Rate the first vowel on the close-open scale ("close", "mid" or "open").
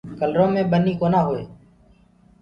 mid